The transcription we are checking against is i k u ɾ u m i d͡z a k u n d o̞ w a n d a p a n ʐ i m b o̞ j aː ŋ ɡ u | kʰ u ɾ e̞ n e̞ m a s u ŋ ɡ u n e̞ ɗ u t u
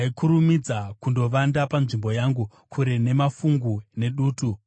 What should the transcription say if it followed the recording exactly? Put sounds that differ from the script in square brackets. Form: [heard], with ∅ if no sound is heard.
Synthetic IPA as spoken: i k u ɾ u m i d͡z a k u n d o̞ [ʋ] a n d a p a n ʐ i m b o̞ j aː ŋ ɡ u | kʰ u ɾ e̞ n e̞ m a [f] u ŋ ɡ u n e̞ ɗ [uː] t u